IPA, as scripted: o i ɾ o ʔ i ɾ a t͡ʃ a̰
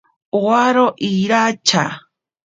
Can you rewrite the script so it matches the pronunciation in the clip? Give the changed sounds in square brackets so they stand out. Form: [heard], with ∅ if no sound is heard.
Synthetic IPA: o [a] ɾ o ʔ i ɾ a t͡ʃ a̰

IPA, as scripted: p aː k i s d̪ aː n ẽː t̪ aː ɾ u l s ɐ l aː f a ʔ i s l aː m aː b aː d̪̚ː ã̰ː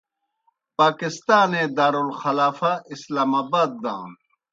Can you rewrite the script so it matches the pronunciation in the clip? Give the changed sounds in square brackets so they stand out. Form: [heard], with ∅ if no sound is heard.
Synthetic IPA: p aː k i s [t̪] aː n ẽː [d̪] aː ɾ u l [x] ɐ l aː f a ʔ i s l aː m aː b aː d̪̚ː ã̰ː

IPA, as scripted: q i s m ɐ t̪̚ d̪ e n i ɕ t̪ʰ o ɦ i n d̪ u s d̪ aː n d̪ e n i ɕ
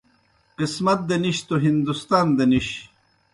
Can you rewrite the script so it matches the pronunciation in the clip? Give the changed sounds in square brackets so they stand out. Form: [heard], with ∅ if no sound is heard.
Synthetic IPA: q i s m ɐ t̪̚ d̪ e n i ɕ [t̪] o ɦ i n d̪ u s [t̪] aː n d̪ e n i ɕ

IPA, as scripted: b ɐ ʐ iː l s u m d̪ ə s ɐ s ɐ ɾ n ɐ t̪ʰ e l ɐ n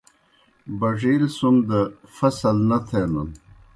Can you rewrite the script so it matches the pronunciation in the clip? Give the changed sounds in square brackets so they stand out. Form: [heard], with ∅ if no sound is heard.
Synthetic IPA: b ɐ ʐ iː l s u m d̪ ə [f] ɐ s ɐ [l] n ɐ t̪ʰ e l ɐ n

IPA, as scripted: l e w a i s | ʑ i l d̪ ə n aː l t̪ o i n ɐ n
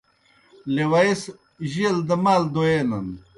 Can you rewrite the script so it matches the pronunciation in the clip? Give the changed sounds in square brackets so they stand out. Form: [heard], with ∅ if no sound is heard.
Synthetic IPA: l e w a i s | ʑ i l d̪ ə [m] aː l [d̪] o [e] n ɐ n

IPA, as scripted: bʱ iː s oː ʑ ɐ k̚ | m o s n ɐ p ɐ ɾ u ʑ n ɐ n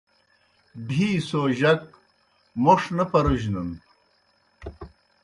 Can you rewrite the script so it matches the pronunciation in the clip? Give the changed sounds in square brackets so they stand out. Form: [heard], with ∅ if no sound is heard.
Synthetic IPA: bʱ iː s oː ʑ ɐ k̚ | m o [ʂ] n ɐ p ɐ ɾ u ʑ n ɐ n

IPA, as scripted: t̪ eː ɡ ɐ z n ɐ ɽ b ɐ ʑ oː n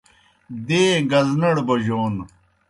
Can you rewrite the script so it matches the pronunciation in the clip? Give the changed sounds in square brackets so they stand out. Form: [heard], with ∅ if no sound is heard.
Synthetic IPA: [d̪] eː ɡ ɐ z n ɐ ɽ b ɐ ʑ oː n

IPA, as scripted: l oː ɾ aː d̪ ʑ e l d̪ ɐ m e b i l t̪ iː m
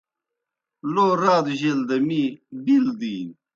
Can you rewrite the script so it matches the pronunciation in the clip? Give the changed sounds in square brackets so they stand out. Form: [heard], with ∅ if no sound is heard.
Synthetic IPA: l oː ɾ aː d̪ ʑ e l d̪ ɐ m [i] b i l [d̪] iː [n]

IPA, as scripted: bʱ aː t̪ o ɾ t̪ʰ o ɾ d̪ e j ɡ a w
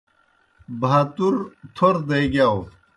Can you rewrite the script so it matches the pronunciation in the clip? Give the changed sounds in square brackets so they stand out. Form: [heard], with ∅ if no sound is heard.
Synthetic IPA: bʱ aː t̪ [u] ɾ t̪ʰ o ɾ d̪ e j ɡ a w

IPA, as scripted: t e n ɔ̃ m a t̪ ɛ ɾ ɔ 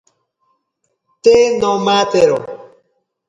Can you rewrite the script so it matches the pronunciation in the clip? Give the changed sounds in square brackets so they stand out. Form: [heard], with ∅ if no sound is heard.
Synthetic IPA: t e n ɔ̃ m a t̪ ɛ ɾ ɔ

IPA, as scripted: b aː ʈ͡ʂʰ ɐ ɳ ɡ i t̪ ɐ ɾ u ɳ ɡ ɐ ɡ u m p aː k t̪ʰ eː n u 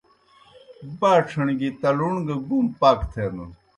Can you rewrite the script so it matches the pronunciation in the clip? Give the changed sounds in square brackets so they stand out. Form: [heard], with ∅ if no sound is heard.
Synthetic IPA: b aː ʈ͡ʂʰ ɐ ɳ ɡ i t̪ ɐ [l] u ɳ ɡ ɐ ɡ u m p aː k t̪ʰ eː n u

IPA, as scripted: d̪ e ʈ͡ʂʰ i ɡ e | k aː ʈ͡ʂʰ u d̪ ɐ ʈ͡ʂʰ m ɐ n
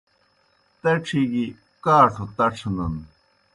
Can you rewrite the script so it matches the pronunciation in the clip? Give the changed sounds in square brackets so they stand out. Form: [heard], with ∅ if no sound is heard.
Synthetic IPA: [t̪] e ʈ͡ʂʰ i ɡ [i] | k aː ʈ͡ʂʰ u [t̪] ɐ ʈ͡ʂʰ [n] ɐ n

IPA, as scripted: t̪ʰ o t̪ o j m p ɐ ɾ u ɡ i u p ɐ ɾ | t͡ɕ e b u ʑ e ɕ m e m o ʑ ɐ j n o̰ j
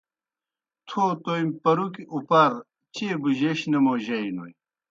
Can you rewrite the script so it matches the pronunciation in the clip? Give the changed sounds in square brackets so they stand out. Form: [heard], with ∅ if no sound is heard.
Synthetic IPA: t̪ʰ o t̪ o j m p ɐ ɾ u [k] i u p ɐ ɾ | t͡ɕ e b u ʑ e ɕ [n] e m o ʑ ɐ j n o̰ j

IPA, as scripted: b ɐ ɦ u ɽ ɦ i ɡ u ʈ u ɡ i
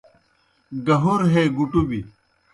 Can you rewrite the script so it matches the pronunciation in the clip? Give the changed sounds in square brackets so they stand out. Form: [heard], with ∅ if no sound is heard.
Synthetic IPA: [ɡ] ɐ ɦ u [ɾ] ɦ [e] ɡ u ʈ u [b] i

